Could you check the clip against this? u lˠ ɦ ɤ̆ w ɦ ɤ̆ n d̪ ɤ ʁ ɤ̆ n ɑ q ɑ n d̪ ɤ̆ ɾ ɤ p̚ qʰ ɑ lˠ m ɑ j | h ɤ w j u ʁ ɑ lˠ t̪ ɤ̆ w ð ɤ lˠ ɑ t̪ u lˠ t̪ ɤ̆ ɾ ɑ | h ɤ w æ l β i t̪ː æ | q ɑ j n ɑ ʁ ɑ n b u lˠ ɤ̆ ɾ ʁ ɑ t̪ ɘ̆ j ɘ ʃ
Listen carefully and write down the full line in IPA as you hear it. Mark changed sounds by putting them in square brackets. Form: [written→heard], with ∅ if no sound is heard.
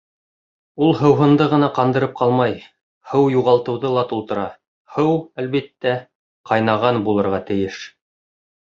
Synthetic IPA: u lˠ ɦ ɤ̆ w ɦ ɤ̆ n d̪ ɤ ʁ ɤ̆ n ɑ q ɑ n d̪ ɤ̆ ɾ ɤ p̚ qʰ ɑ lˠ m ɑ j | h ɤ w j u ʁ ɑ lˠ t̪ ɤ̆ w ð ɤ lˠ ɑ t̪ u lˠ t̪ ɤ̆ ɾ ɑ | h ɤ w æ l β i t̪ː æ | q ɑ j n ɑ ʁ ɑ n b u lˠ ɤ̆ ɾ ʁ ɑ t̪ ɘ̆ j ɘ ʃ